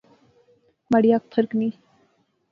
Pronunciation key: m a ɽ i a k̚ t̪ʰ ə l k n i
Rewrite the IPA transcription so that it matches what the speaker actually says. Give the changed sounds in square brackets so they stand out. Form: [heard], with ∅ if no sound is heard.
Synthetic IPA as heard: m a ɽ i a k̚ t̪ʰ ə [ɾ] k n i